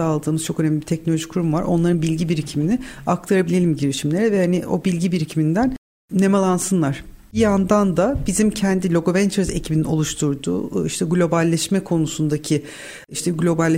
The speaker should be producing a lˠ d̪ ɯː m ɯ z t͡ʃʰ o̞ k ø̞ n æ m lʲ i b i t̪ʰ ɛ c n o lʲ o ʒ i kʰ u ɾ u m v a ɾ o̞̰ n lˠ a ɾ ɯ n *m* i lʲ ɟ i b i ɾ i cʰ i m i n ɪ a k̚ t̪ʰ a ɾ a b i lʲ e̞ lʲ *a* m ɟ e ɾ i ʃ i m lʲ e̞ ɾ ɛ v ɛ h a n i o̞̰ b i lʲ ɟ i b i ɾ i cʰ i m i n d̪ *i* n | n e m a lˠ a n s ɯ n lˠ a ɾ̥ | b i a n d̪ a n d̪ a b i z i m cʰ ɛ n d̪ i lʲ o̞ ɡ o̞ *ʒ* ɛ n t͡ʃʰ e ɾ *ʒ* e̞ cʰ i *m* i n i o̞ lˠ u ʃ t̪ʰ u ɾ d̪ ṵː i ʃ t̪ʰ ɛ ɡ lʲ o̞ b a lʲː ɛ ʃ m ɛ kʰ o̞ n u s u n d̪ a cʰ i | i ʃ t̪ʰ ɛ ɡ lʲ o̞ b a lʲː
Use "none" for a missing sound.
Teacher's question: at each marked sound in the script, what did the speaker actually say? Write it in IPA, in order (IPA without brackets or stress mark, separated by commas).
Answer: b, i, æ, v, z, b